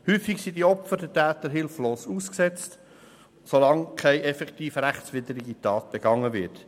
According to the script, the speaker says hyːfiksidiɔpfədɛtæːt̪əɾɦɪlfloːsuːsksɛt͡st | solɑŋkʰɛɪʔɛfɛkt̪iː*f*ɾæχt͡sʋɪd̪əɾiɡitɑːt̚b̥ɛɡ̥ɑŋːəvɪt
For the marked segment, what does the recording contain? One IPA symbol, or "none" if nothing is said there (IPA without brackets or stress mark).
f